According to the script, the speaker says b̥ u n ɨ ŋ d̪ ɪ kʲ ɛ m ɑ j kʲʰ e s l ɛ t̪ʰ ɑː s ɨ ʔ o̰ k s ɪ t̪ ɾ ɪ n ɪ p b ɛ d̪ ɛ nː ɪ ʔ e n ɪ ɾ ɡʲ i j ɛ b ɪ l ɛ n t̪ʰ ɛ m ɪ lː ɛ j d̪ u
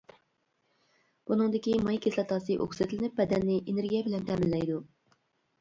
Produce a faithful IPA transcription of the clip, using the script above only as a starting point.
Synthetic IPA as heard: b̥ u n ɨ ŋ d̪ ɪ kʲ i m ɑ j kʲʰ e s l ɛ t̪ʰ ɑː s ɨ ʔ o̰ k s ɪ t̪ l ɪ n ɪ p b ɛ d̪ ɛ nː ɪ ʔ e n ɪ ɾ ɡʲ i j ɛ b ɪ l ɛ n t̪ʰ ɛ m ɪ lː ɛ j d̪ u